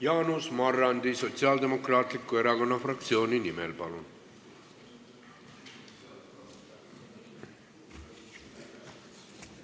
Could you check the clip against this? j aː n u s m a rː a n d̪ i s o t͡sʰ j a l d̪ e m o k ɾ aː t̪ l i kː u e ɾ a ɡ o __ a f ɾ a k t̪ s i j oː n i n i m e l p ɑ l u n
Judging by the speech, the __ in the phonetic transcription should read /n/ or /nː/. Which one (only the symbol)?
n